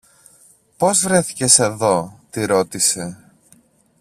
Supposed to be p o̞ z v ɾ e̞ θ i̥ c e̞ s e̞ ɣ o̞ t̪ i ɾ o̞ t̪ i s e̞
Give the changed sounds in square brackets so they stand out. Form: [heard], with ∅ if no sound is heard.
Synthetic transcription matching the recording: p o̞ z v ɾ e̞ θ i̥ c e̞ s e̞ [ð] o̞ t̪ i ɾ o̞ t̪ i s e̞